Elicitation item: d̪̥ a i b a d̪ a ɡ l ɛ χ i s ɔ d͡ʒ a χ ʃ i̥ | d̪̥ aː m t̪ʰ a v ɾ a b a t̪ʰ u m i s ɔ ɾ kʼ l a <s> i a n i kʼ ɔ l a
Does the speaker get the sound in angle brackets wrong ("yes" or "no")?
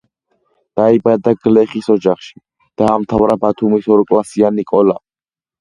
no